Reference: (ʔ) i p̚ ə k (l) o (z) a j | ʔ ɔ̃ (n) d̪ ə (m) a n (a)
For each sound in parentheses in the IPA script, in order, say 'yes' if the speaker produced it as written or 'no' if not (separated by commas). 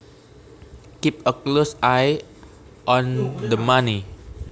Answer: no, yes, no, yes, yes, no